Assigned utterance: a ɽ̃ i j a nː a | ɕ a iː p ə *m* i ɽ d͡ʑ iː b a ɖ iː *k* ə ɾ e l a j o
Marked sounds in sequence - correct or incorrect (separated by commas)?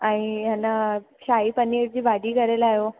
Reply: incorrect, correct